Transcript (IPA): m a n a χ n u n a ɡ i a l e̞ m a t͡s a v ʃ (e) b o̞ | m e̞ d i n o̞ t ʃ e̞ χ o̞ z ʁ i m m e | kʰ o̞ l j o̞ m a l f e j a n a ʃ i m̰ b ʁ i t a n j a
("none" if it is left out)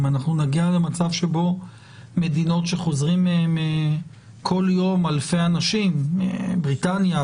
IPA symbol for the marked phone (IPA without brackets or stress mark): e